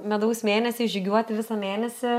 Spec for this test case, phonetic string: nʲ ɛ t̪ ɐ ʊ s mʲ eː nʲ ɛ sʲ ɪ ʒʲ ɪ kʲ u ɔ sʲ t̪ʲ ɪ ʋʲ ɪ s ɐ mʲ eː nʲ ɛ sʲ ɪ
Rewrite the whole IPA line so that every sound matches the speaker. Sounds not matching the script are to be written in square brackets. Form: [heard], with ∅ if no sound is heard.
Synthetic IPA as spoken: [mʲ] ɛ [d̪] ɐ ʊ s mʲ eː nʲ ɛ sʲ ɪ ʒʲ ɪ [ɡʲ] u ɔ [∅] t̪ʲ ɪ ʋʲ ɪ s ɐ mʲ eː nʲ ɛ sʲ ɪ

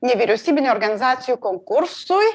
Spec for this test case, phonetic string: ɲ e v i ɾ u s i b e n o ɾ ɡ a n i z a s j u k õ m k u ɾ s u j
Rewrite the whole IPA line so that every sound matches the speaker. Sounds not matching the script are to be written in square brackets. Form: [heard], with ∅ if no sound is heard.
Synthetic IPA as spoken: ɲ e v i ɾ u s i b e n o ɾ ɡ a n i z a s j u k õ [ŋ] k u ɾ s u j

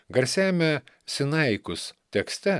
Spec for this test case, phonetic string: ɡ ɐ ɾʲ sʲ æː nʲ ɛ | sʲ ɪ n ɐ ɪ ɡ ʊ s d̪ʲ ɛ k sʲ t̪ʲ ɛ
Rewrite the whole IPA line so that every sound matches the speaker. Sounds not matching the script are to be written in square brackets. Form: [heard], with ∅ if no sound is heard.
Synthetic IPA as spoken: ɡ ɐ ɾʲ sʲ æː [mʲ] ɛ | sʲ ɪ n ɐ ɪ [k] ʊ s [t̪ʲ] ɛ k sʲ t̪ʲ ɛ

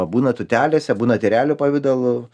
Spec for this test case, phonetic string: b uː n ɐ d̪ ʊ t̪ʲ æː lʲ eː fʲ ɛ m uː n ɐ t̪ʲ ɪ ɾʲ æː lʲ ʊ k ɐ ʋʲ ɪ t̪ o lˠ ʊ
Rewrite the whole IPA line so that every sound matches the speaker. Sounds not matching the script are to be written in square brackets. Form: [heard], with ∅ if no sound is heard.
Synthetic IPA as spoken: b uː n ɐ [t̪] ʊ t̪ʲ æː lʲ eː [sʲ] ɛ [b] uː n ɐ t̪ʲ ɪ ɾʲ æː lʲ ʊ [p] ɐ ʋʲ ɪ [d̪] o lˠ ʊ

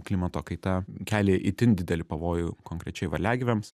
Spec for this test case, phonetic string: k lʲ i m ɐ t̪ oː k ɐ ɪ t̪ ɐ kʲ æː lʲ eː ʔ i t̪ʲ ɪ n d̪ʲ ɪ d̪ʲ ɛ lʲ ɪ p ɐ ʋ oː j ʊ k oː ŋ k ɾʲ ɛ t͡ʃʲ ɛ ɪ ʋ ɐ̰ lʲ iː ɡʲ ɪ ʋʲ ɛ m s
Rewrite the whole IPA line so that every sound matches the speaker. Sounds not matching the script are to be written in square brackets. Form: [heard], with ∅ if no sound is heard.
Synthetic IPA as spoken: k lʲ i m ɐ t̪ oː k ɐ ɪ t̪ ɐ kʲ æː lʲ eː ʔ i t̪ʲ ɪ n d̪ʲ ɪ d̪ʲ ɛ lʲ ɪ p ɐ ʋ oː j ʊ k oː ŋ k ɾʲ ɛ t͡ʃʲ ɛ ɪ ʋ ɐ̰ lʲ [æː] ɡʲ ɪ ʋʲ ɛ m s

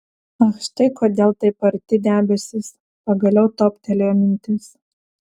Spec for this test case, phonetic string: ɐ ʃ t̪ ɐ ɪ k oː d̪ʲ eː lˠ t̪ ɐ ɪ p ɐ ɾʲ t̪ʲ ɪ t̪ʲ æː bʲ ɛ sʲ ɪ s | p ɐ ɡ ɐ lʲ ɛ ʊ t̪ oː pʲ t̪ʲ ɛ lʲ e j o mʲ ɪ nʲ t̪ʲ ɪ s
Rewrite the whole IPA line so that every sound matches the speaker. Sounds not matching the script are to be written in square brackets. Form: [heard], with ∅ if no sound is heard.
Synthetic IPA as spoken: ɐ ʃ t̪ ɐ ɪ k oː d̪ʲ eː lˠ t̪ ɐ ɪ p ɐ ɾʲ t̪ʲ ɪ [d̪ʲ] æː bʲ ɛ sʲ ɪ s | p ɐ ɡ ɐ lʲ ɛ ʊ t̪ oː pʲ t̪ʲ ɛ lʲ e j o mʲ ɪ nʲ t̪ʲ ɪ s

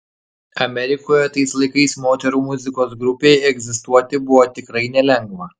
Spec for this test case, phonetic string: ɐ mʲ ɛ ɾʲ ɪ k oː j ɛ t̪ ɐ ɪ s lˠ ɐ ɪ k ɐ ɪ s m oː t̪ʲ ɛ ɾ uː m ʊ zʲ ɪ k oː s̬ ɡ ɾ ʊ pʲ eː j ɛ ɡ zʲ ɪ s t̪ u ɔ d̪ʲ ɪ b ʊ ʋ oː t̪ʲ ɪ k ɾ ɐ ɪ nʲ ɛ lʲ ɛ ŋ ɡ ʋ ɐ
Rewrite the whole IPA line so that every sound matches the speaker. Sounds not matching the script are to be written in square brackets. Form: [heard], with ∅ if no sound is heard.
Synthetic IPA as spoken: ɐ mʲ ɛ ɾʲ ɪ k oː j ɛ t̪ ɐ ɪ s lˠ ɐ ɪ k ɐ ɪ s m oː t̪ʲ ɛ ɾ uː m ʊ zʲ ɪ k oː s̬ ɡ ɾ ʊ pʲ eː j ɛ ɡ zʲ ɪ s t̪ u ɔ [t̪ʲ] ɪ b ʊ ʋ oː t̪ʲ ɪ k ɾ ɐ ɪ nʲ ɛ lʲ ɛ ŋ ɡ ʋ ɐ

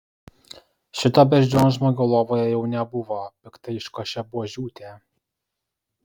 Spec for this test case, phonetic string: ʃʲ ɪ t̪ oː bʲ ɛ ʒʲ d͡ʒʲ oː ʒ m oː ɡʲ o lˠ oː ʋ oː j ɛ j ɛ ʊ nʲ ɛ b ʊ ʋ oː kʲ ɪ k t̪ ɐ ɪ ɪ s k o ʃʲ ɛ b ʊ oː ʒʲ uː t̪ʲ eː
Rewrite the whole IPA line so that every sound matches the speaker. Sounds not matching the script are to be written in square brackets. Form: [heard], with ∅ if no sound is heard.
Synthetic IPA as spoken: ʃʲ ɪ t̪ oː bʲ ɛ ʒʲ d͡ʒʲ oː ʒ m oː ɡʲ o lˠ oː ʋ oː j ɛ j ɛ ʊ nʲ ɛ b ʊ ʋ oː [pʲ] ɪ k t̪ ɐ ɪ ɪ [ʃ] k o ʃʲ ɛ b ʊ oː ʒʲ uː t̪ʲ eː

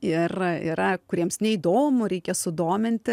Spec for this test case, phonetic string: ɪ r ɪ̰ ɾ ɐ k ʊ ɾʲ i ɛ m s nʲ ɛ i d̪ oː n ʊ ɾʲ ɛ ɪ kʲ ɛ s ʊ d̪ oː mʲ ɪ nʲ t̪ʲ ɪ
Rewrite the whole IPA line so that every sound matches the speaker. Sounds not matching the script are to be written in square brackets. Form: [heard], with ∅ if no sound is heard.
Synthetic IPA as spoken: ɪ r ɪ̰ ɾ ɐ k ʊ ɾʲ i ɛ m s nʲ ɛ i d̪ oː [m] ʊ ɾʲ ɛ ɪ kʲ ɛ s ʊ d̪ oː mʲ ɪ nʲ t̪ʲ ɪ

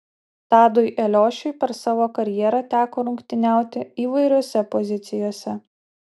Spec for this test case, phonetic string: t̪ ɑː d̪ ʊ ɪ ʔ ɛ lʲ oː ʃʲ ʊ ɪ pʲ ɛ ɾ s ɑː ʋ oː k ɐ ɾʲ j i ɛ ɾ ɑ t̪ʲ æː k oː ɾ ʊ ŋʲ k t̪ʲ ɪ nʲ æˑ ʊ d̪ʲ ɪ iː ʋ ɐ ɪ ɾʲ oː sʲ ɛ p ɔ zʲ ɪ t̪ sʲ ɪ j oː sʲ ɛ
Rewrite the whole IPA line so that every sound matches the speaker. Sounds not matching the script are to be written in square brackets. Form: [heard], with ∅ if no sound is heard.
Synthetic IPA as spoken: t̪ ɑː d̪ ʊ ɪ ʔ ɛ lʲ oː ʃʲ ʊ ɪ pʲ ɛ ɾ s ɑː ʋ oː k ɐ ɾʲ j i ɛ ɾ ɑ t̪ʲ æː k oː ɾ ʊ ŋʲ k t̪ʲ ɪ nʲ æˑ ʊ [t̪ʲ] ɪ iː ʋ ɐ ɪ ɾʲ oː sʲ ɛ p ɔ zʲ ɪ t̪ sʲ ɪ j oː sʲ ɛ

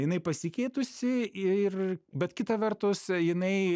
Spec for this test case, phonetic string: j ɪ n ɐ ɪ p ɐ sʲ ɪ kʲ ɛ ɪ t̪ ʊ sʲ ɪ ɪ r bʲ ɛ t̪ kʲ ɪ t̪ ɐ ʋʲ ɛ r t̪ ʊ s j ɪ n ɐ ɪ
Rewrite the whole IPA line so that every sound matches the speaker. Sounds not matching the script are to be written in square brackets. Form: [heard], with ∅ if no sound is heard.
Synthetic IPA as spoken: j ɪ n ɐ ɪ p ɐ sʲ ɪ kʲ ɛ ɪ t̪ ʊ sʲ ɪ ɪ r bʲ ɛ t̪ kʲ ɪ t̪ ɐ ʋʲ ɛ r t̪ ʊ s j ɪ n ɐ ɪ

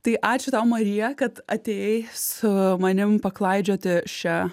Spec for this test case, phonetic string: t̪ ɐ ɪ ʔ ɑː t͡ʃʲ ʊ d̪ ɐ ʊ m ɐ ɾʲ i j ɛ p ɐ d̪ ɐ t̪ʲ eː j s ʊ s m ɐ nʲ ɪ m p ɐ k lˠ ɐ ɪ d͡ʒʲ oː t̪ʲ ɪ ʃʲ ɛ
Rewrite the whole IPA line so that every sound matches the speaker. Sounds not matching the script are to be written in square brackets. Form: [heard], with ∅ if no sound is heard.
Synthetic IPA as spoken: t̪ ɐ ɪ ʔ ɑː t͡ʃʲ ʊ [t̪] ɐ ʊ m ɐ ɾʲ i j ɛ [k] ɐ [t̪] ɐ t̪ʲ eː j s ʊ [∅] m ɐ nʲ ɪ m p ɐ k lˠ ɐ ɪ d͡ʒʲ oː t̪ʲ ɪ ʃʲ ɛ

